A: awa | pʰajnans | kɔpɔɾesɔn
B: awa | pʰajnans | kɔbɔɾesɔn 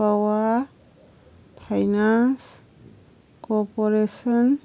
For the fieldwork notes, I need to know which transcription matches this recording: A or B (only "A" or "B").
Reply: A